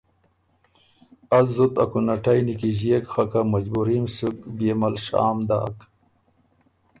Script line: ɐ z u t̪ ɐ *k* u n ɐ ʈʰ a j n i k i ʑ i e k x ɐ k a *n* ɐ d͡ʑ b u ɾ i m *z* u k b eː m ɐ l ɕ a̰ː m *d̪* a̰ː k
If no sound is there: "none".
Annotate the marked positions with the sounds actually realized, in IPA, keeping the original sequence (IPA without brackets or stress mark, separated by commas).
k, m, s, d̪